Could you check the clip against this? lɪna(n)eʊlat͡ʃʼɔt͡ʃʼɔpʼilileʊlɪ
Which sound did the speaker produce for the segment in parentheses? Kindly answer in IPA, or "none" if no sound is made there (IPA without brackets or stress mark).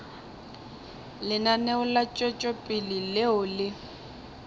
n